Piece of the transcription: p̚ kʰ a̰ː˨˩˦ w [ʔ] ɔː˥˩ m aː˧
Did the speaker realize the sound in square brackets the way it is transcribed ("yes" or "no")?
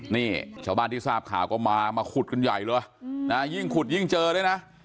no